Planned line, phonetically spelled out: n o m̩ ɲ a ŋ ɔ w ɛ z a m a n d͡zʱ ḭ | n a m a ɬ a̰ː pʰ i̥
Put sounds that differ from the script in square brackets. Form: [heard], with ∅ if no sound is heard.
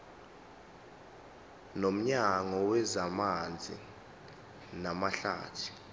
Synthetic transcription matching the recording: n o m̩ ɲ a ŋ ɔ w ɛ z a m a n d͡zʱ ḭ | n a m a ɬ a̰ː [tʰ] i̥